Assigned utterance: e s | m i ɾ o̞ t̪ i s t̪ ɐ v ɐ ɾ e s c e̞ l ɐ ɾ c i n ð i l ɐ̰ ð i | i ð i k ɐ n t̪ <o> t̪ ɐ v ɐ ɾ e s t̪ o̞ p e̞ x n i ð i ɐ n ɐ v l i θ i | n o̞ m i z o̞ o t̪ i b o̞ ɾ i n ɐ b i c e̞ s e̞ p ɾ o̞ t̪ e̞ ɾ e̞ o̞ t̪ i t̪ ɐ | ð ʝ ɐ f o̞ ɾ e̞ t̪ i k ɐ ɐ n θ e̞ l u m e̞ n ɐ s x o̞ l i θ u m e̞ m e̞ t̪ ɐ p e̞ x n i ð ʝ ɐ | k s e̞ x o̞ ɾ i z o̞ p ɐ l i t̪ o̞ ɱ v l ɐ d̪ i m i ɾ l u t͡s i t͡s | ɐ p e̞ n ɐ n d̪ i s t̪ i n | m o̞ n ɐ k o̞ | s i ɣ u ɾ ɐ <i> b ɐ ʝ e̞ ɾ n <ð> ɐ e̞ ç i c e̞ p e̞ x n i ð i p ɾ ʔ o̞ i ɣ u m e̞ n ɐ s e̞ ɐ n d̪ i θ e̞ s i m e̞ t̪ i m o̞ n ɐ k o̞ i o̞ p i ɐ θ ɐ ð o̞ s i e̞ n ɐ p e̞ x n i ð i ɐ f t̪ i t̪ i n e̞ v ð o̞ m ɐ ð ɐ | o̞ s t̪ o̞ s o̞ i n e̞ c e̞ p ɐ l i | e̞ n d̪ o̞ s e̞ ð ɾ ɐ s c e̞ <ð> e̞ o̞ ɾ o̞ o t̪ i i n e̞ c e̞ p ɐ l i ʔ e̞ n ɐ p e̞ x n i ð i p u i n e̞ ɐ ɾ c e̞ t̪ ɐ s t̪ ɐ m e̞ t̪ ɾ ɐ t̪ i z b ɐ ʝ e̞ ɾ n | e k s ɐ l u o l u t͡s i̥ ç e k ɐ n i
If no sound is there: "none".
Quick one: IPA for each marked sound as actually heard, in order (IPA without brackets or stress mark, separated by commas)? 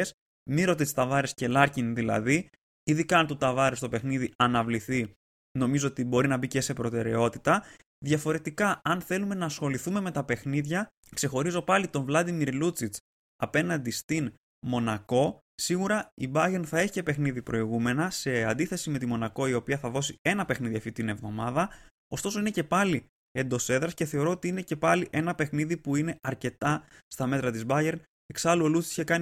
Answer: u, i, θ, θ